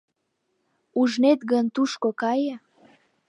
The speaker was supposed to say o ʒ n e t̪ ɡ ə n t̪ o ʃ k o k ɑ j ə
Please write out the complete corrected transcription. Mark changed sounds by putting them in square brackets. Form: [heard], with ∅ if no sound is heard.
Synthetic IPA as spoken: [u] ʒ n e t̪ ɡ ə n t̪ [u] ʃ k o k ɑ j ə